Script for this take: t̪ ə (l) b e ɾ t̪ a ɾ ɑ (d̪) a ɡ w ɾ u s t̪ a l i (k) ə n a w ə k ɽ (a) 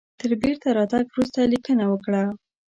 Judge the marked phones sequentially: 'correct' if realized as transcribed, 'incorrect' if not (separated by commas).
incorrect, incorrect, correct, correct